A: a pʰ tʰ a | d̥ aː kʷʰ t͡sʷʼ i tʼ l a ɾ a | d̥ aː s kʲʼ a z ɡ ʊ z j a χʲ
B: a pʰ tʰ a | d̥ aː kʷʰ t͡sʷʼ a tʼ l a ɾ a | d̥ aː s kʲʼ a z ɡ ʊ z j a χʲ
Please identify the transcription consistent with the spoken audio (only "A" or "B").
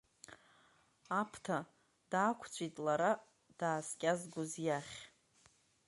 A